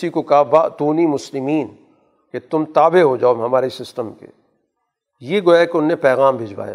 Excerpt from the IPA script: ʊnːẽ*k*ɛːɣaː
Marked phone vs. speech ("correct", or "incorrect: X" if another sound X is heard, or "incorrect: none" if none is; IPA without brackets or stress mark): incorrect: p